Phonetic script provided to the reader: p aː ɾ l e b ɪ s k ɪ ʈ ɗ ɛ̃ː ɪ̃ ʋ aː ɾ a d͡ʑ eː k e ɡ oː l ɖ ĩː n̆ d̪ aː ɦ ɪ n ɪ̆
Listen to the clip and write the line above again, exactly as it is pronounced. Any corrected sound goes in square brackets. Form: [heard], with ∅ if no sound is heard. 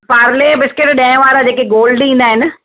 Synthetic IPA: p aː ɾ l e b ɪ s k ɪ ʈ ɗ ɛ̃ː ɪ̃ ʋ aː ɾ a d͡ʑ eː k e ɡ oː l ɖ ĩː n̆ d̪ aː ɦ ɪ n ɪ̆